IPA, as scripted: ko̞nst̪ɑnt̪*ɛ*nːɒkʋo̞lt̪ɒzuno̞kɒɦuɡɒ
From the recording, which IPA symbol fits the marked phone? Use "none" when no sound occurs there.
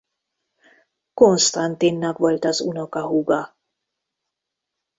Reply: i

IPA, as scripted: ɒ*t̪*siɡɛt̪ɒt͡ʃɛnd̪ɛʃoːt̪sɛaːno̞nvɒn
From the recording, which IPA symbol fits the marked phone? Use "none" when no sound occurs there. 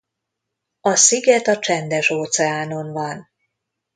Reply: none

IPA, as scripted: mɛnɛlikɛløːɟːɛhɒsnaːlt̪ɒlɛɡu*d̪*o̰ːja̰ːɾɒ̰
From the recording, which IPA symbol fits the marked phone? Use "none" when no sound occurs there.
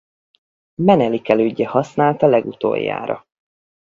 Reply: t̪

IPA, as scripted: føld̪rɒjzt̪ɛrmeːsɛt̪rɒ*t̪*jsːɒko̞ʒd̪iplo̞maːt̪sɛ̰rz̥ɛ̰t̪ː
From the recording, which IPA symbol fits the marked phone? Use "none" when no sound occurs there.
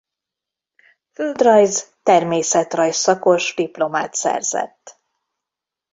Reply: none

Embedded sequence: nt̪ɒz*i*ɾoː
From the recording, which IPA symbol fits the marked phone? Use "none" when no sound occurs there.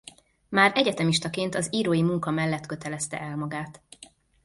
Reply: iː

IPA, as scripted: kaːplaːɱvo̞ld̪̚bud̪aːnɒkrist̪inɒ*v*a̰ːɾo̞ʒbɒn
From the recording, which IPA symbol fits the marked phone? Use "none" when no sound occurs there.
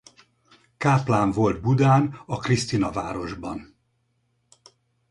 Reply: v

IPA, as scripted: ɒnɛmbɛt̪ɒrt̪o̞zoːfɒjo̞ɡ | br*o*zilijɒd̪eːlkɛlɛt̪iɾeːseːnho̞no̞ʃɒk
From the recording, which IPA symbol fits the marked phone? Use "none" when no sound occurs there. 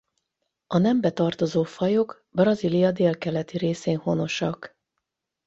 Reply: ɒ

